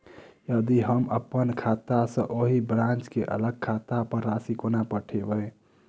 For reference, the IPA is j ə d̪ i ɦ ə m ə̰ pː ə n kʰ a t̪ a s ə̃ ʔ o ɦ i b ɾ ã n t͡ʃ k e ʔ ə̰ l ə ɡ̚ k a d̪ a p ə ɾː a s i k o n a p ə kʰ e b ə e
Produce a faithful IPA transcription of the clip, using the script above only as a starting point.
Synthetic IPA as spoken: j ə d̪ i ɦ ə m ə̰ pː ə n kʰ a t̪ a s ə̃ ʔ o ɦ i b ɾ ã n t͡ʃ k e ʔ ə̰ l ə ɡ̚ kʰ a t̪ a p ə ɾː a s i k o n a p ə ʈʰ e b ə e